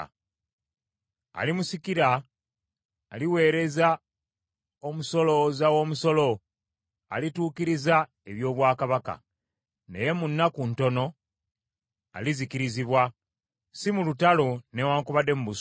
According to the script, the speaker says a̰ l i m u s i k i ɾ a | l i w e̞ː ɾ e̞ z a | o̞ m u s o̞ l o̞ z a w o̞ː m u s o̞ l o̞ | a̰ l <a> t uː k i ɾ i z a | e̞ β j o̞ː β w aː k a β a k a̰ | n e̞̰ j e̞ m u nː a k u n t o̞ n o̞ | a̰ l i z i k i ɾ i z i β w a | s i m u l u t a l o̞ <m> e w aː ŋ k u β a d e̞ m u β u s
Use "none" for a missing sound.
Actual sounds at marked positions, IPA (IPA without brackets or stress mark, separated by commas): i, n